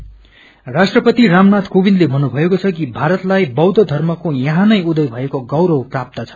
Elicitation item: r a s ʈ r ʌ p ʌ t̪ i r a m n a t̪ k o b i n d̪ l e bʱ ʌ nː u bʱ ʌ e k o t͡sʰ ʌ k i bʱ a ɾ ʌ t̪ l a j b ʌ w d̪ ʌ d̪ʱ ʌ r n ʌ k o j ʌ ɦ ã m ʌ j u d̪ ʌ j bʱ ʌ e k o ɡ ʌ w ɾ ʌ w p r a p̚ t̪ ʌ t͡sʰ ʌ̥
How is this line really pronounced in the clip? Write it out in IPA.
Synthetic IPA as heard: r a s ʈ r ʌ p ʌ t̪ i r a m n a t̪ k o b i n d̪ l e bʱ ʌ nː u bʱ ʌ e k o t͡sʰ ʌ k i bʱ a ɾ ʌ t̪ l a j b ʌ w d̪ ʌ d̪ʱ ʌ r m ʌ k o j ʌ ɦ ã n ʌ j u d̪ ʌ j bʱ ʌ e k o ɡ ʌ w ɾ ʌ w p r a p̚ t̪ ʌ t͡sʰ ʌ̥